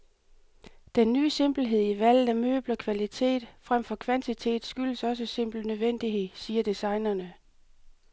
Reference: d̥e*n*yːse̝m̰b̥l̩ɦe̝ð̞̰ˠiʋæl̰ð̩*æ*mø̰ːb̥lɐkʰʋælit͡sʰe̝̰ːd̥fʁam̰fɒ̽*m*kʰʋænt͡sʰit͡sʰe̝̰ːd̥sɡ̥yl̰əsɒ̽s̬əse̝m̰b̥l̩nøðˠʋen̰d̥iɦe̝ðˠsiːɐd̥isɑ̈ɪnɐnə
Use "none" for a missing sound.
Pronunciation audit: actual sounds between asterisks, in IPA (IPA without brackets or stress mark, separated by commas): nː, æ, none